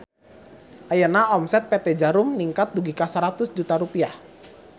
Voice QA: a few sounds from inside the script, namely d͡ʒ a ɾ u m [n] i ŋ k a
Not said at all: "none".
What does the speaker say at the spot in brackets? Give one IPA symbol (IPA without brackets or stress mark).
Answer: n